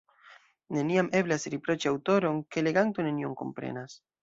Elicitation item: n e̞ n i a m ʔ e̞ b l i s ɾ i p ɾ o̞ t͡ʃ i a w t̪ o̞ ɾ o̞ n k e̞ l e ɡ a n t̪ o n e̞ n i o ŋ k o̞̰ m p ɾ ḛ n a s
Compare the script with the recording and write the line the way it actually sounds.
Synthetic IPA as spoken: n e̞ n i a m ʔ e̞ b l a s ɾ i p ɾ o̞ t͡ʃ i a w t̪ o̞ ɾ o̞ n k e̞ l e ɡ a n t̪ o n e̞ n i o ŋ k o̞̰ m p ɾ ḛ n a s

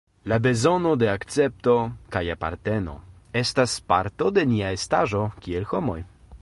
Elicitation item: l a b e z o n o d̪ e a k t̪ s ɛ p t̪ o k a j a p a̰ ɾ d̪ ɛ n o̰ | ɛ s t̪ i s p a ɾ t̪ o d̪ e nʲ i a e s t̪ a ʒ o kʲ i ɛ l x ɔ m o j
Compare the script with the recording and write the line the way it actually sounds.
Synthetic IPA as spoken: l a b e z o n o d̪ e a k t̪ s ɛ p t̪ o k a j a p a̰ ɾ t̪ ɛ n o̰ | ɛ s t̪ a s p a ɾ t̪ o d̪ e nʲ i a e s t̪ a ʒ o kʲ i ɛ l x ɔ m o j

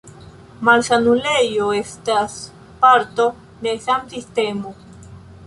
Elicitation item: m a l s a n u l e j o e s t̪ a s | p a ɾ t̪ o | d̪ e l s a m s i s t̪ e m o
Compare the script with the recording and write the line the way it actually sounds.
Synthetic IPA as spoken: m a l s a n u l e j o e s t̪ a s | p a ɾ t̪ o | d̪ e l s a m s i s t̪ e m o

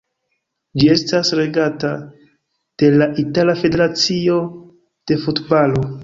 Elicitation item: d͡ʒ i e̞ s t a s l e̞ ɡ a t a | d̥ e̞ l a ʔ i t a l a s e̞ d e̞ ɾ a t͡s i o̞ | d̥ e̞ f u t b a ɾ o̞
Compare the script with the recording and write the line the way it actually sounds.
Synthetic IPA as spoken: d͡ʒ i e̞ s t a s ɾ e̞ ɡ a t a | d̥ e̞ l a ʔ i t a l a f e̞ d e̞ ɾ a t͡s i o̞ | d̥ e̞ f u t b a l o̞

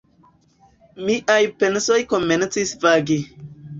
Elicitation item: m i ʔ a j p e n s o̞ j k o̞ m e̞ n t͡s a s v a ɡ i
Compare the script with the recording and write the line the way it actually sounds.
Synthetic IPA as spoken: m i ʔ a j p e n s o̞ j k o̞ m e̞ n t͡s i s v a ɡ i

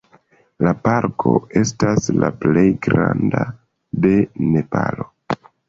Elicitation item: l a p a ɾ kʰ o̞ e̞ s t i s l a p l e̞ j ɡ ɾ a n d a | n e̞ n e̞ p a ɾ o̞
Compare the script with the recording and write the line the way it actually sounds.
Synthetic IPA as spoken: l a p a ɾ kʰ o̞ e̞ s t a s l a p l e̞ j ɡ ɾ a n d a | d e̞ n e̞ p a l o̞

